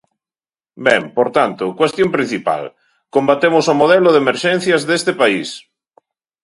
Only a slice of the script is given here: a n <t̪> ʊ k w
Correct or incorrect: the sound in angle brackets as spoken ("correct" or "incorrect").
correct